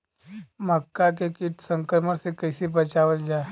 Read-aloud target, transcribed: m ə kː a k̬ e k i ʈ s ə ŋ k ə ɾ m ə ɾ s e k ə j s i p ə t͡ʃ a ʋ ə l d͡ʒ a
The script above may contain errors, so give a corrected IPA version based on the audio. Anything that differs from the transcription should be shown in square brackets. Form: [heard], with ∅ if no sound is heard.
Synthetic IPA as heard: m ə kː a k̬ e k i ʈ s ə ŋ k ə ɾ m ə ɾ s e k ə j s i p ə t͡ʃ a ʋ ə l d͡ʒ a